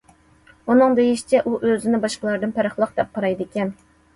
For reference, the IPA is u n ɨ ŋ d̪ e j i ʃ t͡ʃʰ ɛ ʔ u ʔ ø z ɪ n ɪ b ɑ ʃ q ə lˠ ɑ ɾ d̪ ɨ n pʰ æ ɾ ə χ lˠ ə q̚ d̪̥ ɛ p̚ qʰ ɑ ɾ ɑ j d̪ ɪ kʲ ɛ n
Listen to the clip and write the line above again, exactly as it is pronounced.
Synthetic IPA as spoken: u n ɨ ŋ d̪ e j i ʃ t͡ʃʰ ɛ ʔ u ʔ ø z ɪ n ɪ b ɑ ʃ q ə lˠ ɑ ɾ d̪ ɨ n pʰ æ ɾ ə χ lˠ ə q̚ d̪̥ ɛ p̚ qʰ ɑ ɾ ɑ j d̪ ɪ kʲ ɛ n